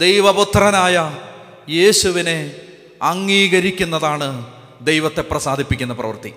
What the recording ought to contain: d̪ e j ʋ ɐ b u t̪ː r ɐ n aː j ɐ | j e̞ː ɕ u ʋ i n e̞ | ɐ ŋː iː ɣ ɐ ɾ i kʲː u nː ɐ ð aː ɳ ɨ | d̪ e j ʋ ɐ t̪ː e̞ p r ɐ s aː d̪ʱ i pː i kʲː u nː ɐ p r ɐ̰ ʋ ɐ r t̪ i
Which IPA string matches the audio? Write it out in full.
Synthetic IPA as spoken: d̪ e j ʋ ɐ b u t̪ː r ɐ n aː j ɐ | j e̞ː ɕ u ʋ i n e̞ | ɐ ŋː iː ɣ ɐ ɾ i kʲː u nː ɐ ð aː ɳ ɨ | d̪ e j ʋ ɐ t̪ː e̞ p r ɐ s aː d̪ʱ i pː i kʲː u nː ɐ p r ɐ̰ ʋ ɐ r t̪ i